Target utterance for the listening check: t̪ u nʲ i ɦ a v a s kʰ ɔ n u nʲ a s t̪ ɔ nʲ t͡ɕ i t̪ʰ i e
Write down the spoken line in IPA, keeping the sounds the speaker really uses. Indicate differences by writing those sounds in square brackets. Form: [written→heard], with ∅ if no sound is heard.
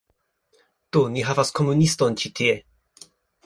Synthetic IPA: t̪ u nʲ i ɦ a v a s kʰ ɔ [n→m] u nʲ [a→i] s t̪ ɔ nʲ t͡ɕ i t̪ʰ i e